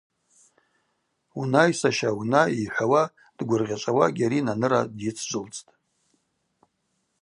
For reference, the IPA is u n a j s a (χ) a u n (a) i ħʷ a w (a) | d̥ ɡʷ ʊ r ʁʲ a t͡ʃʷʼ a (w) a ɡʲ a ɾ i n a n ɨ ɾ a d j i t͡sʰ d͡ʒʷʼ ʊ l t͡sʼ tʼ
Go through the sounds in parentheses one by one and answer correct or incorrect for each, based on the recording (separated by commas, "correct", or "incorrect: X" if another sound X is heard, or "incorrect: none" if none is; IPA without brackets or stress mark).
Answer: incorrect: ʃ, correct, correct, correct